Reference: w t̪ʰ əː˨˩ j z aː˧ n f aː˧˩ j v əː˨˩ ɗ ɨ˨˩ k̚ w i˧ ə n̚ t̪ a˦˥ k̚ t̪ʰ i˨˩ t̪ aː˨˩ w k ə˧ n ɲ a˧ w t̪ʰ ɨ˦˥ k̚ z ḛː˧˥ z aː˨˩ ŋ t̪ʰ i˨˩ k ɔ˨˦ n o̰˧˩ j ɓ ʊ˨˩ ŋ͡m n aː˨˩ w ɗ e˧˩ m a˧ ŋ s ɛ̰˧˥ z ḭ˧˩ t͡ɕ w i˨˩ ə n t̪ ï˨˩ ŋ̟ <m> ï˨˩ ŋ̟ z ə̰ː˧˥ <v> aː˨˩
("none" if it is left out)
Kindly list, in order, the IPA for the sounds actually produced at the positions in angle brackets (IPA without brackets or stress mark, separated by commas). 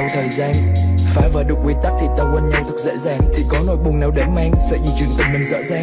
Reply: m, z